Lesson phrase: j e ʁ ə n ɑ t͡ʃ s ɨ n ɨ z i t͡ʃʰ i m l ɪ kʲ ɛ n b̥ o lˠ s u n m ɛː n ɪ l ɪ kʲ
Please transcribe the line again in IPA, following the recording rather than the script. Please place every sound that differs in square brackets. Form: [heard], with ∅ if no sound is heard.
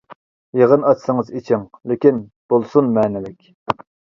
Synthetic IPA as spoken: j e ʁ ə n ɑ t͡ʃ s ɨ [ŋ] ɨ z i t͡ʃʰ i [ŋ] l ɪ kʲ [i] n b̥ o lˠ s u n m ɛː n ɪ l ɪ kʲ